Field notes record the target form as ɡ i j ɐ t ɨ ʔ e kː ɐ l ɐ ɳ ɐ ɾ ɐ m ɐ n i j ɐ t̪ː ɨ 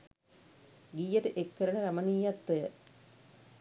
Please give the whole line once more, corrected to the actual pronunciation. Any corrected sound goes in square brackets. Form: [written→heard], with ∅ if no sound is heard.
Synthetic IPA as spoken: ɡ i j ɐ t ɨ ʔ e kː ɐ [l→ɾ] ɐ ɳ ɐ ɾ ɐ m ɐ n i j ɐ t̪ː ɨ